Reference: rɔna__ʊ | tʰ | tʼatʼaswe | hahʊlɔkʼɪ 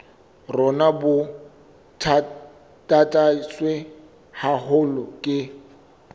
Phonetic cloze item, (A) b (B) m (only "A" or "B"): A